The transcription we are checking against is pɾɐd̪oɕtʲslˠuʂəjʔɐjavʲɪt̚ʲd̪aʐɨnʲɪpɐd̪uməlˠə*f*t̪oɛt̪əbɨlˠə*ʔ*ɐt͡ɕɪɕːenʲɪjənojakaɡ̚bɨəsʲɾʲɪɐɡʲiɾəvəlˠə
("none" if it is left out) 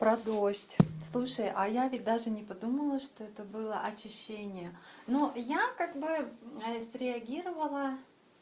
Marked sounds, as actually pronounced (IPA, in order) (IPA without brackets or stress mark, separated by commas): ʂ, ʔ